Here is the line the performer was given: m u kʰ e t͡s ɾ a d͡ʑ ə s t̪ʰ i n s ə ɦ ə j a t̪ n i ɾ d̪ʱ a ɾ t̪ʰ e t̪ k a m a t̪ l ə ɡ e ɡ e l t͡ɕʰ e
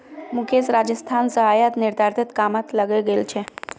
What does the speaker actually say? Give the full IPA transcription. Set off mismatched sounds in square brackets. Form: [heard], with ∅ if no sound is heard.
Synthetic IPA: m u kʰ e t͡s ɾ a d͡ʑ ə s t̪ʰ [a] n s ə ɦ [a] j a t̪ n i ɾ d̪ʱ a ɾ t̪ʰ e t̪ k a m a t̪ l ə ɡ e ɡ e l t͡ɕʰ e